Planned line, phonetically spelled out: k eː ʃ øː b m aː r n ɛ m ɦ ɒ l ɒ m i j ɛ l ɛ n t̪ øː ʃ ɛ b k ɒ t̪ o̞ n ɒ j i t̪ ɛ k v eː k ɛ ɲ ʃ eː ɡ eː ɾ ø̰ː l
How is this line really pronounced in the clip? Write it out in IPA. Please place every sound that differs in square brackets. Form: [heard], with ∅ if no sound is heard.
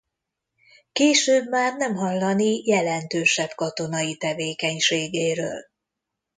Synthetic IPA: k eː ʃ øː b m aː r n ɛ m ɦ ɒ [lː] ɒ [n] i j ɛ l ɛ n t̪ øː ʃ ɛ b k ɒ t̪ o̞ n ɒ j i t̪ ɛ [∅] v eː k ɛ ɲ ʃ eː ɡ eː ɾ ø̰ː l